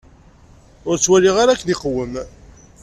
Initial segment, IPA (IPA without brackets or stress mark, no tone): ʊ